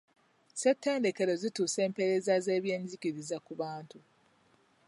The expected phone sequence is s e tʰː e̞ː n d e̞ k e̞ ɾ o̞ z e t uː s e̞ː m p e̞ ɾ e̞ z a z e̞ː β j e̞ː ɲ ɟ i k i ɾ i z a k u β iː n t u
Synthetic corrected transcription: s e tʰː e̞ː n d e̞ k e̞ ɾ o̞ z i t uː s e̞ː m p e̞ ɾ e̞ z a z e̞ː β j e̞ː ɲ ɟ i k i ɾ i z a k u β aː n t u